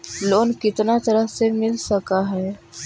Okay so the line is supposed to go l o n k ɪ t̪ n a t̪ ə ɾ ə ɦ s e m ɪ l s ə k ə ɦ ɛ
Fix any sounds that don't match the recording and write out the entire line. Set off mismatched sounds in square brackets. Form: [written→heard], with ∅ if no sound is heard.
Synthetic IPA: l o n k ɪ t̪ n a t̪ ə ɾ ə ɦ s e m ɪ l s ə k [ə→a] ɦ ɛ